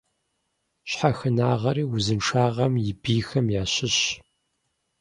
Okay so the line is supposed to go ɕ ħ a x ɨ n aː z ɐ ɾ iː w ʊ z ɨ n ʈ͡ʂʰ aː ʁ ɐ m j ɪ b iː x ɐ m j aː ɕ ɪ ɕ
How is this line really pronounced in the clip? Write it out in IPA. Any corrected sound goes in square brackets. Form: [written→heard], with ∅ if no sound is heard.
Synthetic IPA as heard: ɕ ħ a x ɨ n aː [z→ʁ] ɐ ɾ iː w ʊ z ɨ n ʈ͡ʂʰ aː ʁ ɐ m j ɪ b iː x ɐ m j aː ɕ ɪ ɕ